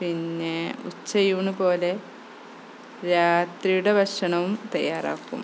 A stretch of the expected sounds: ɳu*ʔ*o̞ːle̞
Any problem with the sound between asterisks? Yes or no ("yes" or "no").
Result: yes